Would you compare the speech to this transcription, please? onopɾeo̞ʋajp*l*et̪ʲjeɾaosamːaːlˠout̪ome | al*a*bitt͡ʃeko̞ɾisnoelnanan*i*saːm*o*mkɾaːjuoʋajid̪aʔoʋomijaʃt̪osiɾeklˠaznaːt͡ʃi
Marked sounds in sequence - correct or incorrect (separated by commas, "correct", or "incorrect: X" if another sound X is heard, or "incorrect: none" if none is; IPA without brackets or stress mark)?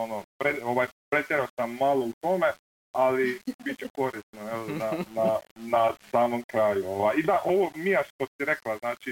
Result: incorrect: ɾ, incorrect: i, incorrect: a, correct